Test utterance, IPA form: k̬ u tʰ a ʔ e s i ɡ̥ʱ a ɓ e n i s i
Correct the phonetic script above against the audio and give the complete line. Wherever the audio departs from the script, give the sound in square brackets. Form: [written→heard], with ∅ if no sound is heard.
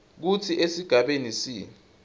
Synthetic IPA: k̬ u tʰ [a→i] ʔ e s i ɡ̥ʱ a ɓ e n i s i